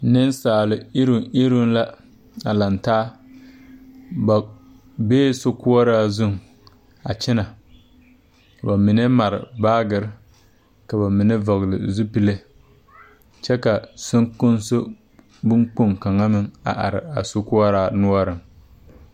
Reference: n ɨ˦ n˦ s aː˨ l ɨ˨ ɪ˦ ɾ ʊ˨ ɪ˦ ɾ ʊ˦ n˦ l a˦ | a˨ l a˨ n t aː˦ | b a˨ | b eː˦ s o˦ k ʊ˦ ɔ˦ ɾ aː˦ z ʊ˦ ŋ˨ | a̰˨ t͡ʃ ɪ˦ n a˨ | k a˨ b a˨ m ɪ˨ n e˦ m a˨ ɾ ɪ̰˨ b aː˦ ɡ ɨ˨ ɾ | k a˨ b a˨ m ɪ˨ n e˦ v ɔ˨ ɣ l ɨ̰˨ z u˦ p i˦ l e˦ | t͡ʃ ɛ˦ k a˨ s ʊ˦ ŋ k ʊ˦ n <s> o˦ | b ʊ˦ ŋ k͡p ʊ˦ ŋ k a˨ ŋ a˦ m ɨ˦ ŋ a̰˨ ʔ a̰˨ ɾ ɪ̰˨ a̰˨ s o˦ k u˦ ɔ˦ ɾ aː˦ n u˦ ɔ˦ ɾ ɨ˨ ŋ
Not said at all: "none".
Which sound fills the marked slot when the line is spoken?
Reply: s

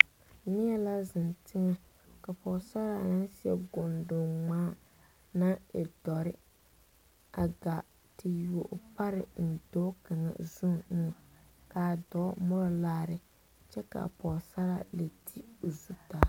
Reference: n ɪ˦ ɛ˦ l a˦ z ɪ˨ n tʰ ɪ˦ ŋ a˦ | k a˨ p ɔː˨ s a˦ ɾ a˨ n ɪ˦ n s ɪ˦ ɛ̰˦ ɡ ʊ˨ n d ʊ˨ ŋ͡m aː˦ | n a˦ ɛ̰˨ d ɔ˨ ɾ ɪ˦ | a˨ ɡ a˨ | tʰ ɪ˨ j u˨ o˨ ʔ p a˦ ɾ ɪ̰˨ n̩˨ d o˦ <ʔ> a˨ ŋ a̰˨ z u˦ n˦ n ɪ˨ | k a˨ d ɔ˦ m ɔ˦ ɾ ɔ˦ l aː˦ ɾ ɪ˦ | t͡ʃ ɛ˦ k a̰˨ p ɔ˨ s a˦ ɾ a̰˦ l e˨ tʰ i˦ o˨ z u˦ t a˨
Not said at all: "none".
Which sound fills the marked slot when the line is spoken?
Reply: k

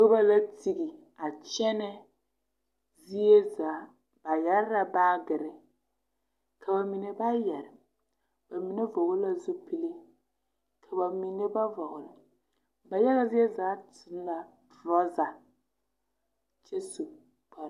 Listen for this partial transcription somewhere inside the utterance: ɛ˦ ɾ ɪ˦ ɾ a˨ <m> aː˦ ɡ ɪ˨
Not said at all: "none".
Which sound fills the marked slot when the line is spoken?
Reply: b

